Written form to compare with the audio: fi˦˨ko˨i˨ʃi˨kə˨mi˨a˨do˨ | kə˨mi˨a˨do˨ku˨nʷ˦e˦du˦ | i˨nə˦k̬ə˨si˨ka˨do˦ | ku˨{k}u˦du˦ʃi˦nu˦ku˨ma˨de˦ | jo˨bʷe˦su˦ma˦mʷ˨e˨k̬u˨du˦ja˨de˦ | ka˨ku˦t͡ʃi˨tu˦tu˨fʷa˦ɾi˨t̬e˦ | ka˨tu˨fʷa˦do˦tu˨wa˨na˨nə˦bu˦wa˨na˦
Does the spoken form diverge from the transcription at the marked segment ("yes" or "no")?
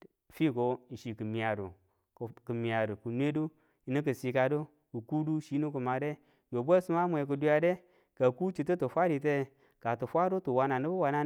no